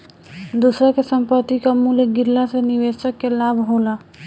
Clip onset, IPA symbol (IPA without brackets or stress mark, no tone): d̪